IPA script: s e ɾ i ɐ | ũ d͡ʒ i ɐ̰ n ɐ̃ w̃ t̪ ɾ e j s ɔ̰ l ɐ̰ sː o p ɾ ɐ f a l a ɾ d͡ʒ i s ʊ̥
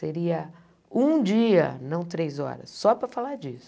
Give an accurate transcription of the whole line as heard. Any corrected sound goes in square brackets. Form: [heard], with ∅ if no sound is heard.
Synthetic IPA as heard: s e ɾ i ɐ | ũ d͡ʒ i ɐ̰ n ɐ̃ w̃ t̪ ɾ e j [z] ɔ̰ [ɾ] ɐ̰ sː [ɔ] p ɾ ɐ f a l a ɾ d͡ʒ i s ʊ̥

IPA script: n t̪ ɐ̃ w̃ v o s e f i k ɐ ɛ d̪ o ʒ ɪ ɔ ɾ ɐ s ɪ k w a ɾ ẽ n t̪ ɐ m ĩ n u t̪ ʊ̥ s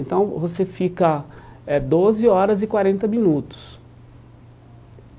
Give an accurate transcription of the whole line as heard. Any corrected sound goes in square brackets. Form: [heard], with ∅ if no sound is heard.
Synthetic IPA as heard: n t̪ ɐ̃ w̃ v o s e f i k ɐ ɛ d̪ o [z] ɪ ɔ ɾ ɐ [z] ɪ k w a ɾ ẽ n t̪ ɐ m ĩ n u t̪ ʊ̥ s

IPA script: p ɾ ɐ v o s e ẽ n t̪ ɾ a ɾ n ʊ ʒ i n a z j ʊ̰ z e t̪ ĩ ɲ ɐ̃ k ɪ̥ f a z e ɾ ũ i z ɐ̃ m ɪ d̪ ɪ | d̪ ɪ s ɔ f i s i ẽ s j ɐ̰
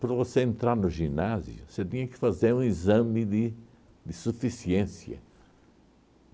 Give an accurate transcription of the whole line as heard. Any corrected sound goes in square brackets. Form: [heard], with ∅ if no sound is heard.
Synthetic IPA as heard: p ɾ ɐ v o s e ẽ n t̪ ɾ a ɾ n ʊ ʒ i n a z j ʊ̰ [s] e t̪ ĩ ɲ [ɐ] k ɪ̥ f a z e ɾ ũ i z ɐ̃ m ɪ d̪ ɪ | d̪ ɪ s [u] f i s i ẽ s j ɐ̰

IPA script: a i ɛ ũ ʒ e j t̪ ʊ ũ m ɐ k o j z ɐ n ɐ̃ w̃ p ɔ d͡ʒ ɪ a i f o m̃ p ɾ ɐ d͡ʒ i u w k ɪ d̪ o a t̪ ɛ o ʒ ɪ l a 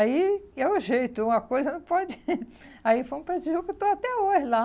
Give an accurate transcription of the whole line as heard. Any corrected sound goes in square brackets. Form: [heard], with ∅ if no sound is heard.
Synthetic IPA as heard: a i ɛ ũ ʒ e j t̪ ʊ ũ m ɐ k o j z ɐ n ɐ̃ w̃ p ɔ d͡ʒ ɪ a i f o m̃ p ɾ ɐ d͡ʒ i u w k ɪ [t̪] o a t̪ ɛ o ʒ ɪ l a

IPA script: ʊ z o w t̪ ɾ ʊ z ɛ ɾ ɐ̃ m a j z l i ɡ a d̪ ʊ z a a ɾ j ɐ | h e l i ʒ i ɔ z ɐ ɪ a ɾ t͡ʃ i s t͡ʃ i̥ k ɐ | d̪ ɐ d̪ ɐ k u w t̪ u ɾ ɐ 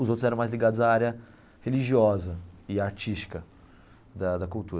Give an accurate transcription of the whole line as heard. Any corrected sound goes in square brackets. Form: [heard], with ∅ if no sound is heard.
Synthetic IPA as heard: ʊ z o w t̪ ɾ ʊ z ɛ ɾ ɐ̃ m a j z l i ɡ a d̪ ʊ z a a ɾ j ɐ | h e l i ʒ i ɔ z ɐ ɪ a ɾ t͡ʃ i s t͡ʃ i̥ k ɐ | d̪ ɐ d̪ ɐ k u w t̪ u ɾ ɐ

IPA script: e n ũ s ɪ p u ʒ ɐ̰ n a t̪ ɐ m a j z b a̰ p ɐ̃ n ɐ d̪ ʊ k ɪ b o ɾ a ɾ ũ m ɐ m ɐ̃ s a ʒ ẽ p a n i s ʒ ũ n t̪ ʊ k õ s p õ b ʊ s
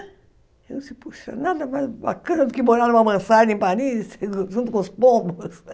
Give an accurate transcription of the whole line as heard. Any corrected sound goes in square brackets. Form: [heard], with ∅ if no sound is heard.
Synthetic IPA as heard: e n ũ s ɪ p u [ʃ] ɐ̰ n a [d̪] ɐ m a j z b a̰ [k] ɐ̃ n ɐ d̪ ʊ k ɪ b o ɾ a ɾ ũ m ɐ m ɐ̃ s a ʒ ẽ p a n i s ʒ ũ n t̪ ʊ k õ s p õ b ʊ s

